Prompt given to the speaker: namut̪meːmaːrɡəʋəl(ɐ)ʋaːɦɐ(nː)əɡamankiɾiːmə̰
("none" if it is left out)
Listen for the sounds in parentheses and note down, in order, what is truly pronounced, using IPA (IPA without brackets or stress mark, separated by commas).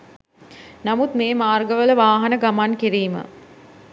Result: ə, n